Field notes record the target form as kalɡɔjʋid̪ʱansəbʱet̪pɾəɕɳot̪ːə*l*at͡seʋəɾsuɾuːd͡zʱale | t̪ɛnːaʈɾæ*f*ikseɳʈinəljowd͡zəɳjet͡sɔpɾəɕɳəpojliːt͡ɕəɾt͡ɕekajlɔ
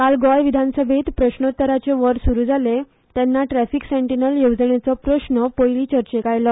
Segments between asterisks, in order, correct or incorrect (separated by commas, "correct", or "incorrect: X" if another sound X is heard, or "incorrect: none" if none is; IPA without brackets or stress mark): incorrect: ɾ, correct